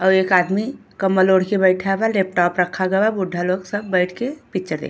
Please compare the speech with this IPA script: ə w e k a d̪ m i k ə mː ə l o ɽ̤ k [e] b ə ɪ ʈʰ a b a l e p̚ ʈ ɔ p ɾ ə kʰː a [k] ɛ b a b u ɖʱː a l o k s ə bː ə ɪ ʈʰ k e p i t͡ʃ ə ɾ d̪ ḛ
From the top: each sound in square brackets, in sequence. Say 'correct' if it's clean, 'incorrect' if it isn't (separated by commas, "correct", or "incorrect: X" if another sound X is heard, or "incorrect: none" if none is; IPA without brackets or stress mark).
correct, incorrect: ɡ